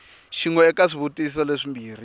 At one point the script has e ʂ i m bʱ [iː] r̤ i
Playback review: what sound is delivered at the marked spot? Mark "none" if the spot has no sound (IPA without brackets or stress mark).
iː